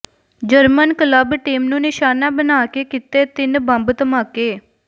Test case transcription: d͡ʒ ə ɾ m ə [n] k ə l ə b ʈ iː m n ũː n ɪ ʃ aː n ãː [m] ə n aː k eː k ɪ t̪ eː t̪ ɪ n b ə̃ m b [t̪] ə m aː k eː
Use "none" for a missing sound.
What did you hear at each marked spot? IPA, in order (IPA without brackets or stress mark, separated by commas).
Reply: n, b, t̪